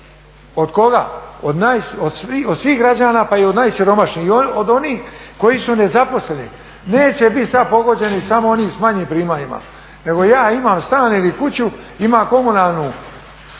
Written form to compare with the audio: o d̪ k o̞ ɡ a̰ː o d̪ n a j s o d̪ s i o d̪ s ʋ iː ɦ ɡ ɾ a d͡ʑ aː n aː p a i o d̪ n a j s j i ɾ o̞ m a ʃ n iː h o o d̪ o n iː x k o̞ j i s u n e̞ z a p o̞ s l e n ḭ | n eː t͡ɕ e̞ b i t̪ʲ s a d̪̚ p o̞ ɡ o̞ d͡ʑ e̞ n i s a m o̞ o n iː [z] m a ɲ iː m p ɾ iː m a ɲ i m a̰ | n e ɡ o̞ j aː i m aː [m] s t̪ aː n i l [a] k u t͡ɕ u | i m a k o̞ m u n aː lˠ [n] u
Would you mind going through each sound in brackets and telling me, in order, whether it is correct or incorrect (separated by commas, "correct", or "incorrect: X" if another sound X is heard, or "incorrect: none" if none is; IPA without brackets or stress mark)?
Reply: incorrect: s, correct, incorrect: i, correct